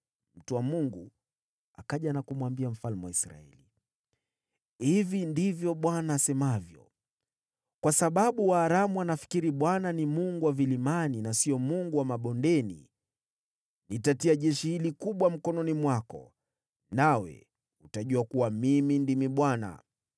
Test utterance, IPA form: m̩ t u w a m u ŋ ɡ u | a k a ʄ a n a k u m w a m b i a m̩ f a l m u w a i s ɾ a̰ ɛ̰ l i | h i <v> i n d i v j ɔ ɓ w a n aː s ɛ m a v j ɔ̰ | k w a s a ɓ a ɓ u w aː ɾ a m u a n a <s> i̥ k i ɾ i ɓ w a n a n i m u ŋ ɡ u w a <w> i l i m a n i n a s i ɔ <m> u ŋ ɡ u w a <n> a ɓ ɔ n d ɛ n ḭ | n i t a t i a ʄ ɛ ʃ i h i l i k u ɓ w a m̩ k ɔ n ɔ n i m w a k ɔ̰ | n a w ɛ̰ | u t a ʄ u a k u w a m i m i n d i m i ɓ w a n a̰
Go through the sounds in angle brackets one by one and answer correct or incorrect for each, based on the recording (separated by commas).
correct, incorrect, incorrect, correct, incorrect